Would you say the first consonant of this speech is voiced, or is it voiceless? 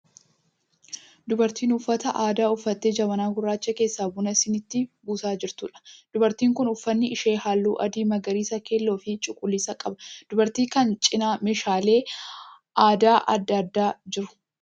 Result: voiced